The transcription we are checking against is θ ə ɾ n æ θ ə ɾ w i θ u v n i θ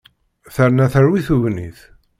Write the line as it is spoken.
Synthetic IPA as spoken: θ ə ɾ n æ θ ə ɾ w i θ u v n i θ

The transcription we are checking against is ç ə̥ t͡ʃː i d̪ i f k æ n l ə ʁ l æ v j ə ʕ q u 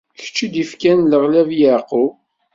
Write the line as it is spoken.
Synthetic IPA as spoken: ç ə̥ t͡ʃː i d̪ i f k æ n l ə ʁ l æ v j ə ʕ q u

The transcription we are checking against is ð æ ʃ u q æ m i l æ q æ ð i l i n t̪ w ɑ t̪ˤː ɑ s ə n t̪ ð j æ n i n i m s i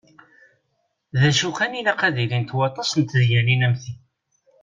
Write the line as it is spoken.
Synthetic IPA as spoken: ð æ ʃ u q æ n i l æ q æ ð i l i n t̪ w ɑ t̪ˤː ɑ s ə n t̪ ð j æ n i n æ m θ i

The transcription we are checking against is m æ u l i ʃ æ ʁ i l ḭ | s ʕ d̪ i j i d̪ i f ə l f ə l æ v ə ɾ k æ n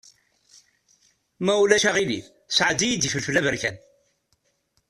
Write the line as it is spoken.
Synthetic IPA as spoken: m æ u l æ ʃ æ ʁ i l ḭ | s ʕ d̪ i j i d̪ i f ə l f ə l æ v ə ɾ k æ n

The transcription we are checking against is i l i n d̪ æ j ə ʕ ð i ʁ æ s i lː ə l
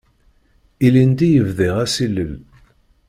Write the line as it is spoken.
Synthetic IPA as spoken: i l i n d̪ i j ə v ð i ʁ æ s i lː ə l

